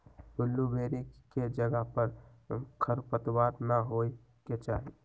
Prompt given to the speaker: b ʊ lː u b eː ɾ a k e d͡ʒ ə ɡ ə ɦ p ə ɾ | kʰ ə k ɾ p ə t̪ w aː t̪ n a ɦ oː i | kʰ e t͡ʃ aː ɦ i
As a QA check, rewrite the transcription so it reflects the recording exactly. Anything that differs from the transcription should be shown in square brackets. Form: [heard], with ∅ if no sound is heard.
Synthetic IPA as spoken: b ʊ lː u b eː ɾ [i] k e d͡ʒ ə ɡ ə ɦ p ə ɾ | kʰ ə [∅] ɾ p ə t̪ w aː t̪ n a ɦ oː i | [k] e t͡ʃ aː ɦ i